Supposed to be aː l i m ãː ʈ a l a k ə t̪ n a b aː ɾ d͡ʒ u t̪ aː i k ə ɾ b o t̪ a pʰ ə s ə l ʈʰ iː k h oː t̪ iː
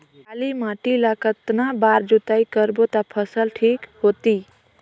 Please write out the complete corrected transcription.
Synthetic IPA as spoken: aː l i m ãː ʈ i l a k ə t̪ n a b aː ɾ d͡ʒ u t̪ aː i k ə ɾ b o t̪ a pʰ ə s ə l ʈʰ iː k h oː t̪ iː